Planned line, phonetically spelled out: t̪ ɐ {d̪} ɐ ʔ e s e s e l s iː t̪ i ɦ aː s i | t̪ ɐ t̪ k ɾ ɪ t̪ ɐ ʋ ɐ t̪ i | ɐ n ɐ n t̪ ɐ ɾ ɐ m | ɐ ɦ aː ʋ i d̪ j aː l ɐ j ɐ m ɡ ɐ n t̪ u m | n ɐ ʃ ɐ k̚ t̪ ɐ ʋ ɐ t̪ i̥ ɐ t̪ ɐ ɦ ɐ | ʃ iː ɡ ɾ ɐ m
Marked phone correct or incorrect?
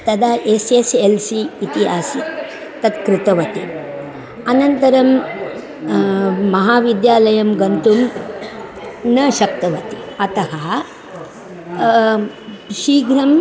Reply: correct